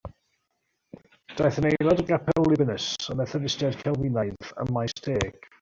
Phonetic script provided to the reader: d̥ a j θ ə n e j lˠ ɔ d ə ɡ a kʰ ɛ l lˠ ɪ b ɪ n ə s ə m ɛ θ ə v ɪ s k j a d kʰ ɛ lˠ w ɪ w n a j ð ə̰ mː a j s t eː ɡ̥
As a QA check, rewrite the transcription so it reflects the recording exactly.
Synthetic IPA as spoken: d̥ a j θ ə n e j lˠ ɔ d ə ɡ a pʰ ɛ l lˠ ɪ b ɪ n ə s ə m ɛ θ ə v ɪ s t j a d kʰ ɛ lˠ w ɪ n a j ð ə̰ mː a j s t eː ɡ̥